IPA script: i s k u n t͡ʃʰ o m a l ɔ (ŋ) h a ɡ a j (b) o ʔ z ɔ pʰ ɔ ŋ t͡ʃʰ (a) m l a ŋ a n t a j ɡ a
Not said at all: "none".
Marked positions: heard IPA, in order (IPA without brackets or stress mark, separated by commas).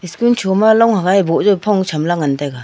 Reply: ŋ, b, a